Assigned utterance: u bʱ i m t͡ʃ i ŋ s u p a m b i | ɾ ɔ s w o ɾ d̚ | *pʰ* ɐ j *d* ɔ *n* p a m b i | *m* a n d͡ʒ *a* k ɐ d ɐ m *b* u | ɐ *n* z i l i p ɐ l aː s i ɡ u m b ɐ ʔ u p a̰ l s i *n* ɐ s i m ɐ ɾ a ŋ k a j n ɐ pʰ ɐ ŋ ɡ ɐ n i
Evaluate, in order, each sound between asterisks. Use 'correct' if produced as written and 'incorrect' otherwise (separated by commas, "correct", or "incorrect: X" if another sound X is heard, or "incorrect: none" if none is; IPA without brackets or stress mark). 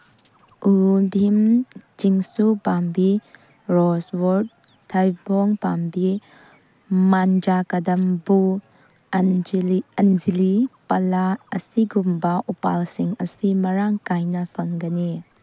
incorrect: tʰ, incorrect: b, incorrect: ŋ, correct, correct, correct, correct, incorrect: ŋ